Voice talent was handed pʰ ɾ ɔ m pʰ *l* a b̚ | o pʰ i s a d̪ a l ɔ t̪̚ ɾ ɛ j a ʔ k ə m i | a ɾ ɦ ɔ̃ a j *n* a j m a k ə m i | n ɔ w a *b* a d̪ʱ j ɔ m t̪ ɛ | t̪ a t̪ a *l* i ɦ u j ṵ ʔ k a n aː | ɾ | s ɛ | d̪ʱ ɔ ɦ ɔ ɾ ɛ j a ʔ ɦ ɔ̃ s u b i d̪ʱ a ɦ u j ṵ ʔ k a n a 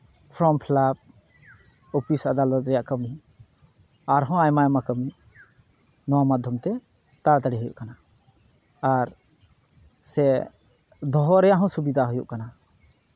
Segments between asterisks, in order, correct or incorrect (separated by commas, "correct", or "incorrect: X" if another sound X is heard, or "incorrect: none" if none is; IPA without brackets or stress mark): correct, incorrect: m, incorrect: m, incorrect: ɽ